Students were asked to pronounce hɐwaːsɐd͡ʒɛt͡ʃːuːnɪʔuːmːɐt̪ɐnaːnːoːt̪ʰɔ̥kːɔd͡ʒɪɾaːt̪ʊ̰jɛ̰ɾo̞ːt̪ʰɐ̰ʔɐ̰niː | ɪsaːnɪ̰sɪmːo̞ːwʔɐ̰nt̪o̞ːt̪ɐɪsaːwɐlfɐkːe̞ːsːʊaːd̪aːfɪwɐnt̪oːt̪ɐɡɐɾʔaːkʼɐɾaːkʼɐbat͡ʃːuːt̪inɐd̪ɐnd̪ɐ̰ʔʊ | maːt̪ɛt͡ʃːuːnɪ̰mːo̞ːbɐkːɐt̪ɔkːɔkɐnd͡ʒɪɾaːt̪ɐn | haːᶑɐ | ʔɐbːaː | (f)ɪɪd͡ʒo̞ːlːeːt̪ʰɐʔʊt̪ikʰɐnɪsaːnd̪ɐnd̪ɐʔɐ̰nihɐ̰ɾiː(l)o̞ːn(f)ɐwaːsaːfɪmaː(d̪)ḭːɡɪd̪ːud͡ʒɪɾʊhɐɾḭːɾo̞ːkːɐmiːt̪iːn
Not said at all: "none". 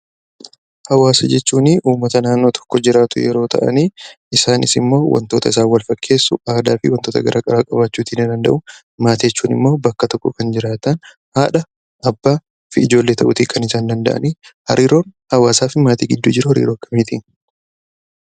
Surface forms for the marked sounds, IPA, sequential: f, ɾ, h, t̪

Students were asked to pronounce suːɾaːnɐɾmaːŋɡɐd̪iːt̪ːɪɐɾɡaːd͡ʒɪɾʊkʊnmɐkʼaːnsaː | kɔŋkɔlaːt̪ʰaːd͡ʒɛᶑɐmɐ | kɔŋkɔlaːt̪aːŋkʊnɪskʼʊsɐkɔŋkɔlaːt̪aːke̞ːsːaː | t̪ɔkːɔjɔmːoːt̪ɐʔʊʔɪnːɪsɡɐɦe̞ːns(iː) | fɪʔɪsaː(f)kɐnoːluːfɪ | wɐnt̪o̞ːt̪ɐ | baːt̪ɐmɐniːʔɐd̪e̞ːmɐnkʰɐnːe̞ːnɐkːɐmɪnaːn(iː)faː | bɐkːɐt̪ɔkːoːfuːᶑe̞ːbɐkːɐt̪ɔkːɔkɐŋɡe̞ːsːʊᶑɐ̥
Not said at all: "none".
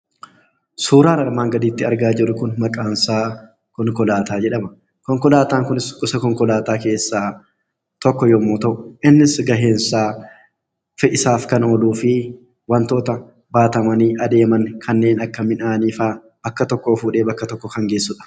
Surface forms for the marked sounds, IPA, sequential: aː, f, iː

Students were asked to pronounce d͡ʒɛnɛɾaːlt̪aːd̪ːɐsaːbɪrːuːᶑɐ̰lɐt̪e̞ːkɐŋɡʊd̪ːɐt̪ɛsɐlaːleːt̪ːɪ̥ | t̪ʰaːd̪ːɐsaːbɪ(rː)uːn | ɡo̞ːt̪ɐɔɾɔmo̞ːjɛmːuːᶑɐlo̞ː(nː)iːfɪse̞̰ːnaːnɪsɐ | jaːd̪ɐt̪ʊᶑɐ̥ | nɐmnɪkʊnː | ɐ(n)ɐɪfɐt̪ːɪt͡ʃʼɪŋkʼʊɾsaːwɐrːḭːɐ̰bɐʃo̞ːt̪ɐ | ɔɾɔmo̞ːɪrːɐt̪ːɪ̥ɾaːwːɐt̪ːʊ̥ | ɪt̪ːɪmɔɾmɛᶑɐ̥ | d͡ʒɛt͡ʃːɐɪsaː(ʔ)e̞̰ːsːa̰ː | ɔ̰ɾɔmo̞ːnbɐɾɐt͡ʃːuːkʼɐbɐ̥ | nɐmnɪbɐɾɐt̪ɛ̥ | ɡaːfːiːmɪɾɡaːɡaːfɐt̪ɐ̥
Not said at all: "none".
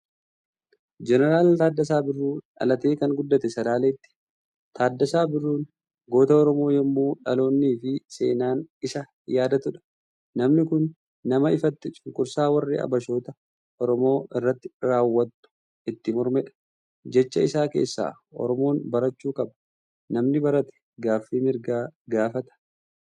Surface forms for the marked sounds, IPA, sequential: rː, nː, m, k

